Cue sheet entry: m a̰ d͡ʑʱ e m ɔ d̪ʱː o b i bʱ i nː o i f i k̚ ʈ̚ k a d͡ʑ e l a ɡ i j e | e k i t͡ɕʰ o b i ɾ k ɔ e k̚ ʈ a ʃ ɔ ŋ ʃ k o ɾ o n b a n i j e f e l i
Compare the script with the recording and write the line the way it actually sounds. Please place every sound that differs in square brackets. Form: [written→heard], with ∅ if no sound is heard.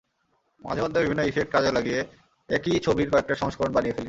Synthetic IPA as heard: m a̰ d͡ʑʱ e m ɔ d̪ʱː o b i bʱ i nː o i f [i→e] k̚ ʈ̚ k a d͡ʑ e l a ɡ i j e | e k i t͡ɕʰ o b i ɾ k ɔ e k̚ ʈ a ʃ ɔ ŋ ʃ k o ɾ o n b a n i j e f e l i